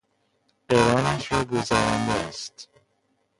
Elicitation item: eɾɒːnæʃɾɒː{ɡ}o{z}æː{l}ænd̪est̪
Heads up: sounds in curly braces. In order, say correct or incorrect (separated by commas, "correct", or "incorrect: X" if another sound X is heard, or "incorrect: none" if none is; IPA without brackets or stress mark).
correct, correct, incorrect: ɾ